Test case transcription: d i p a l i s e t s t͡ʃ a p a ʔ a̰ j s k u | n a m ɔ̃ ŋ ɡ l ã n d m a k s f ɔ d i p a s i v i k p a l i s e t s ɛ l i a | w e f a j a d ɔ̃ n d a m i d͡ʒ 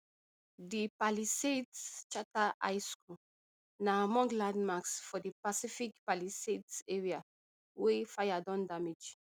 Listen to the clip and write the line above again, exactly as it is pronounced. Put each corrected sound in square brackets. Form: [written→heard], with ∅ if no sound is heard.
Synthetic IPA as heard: d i p a l i s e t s t͡ʃ a [p→t] a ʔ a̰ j s k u | n a m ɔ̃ ŋ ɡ l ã n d m a k s f ɔ d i p a s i [v→f] i k p a l i s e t s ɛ [l→ɹ] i a | w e f a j a d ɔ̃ n d a m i d͡ʒ